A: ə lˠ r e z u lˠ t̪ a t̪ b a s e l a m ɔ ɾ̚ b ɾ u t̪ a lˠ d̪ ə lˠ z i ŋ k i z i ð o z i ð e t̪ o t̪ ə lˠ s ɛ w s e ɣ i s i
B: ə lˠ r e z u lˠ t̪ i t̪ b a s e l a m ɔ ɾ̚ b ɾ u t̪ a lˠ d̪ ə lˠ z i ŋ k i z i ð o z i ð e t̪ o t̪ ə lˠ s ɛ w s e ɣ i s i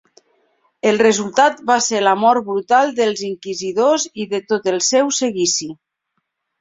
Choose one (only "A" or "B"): A